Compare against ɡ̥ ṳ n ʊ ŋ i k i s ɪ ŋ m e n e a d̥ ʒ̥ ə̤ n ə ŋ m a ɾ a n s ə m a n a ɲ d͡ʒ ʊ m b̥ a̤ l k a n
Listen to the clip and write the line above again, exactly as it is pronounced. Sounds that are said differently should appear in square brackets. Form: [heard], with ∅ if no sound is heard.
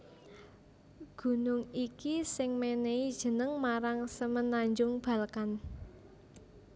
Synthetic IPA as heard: ɡ̥ ṳ n ʊ ŋ i k i s ɪ ŋ m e n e [i] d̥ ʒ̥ ə̤ n ə ŋ m a ɾ a [ŋ] s ə m [ə] n a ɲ d͡ʒ ʊ [ŋ] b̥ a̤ l k a n